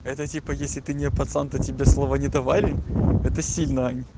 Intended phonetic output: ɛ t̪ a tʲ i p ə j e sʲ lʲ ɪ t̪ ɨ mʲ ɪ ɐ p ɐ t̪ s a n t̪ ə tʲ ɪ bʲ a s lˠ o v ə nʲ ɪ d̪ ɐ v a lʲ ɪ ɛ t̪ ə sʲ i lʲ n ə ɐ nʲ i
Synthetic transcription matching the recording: ɛ t̪ ə tʲ i p ə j e sʲ lʲ ɪ t̪ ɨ nʲ ɪ ɐ p ɐ t̪ s a n t̪ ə tʲ ɪ bʲ e s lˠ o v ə nʲ ɪ d̪ ɐ v a lʲ ɪ ɛ t̪ ə sʲ i lʲ n ə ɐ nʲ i